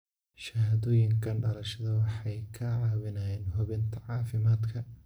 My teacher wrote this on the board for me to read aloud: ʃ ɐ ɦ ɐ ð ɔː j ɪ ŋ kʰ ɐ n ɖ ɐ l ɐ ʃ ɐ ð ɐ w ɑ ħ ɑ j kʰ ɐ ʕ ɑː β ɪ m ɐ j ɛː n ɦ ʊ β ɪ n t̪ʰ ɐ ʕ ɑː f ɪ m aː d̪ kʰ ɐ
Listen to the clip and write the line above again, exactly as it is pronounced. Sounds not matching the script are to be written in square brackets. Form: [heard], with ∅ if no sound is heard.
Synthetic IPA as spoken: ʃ ɐ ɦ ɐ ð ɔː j ɪ ŋ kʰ ɐ n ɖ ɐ l ɐ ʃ ɐ ð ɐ w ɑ ħ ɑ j kʰ ɐ ʕ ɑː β ɪ [n] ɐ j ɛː n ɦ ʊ β ɪ n t̪ʰ ɐ ʕ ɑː f ɪ m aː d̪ kʰ ɐ